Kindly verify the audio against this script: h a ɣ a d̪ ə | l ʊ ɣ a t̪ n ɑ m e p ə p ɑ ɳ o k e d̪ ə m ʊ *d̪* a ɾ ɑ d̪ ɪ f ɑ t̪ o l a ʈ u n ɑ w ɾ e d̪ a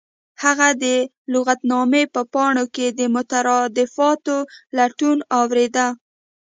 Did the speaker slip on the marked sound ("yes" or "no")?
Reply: yes